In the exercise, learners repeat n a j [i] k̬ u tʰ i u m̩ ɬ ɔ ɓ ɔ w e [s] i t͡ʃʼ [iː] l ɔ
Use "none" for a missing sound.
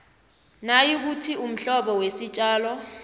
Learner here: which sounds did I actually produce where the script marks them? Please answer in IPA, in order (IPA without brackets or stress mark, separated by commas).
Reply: i, s, aː